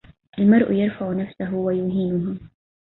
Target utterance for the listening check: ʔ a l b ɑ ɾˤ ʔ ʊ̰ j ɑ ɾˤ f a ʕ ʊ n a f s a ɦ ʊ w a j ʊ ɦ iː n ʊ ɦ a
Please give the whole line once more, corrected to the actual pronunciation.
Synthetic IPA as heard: ʔ a l m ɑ ɾˤ ʔ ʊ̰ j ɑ ɾˤ f a ʕ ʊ n a f s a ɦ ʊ w a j ʊ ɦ iː n ʊ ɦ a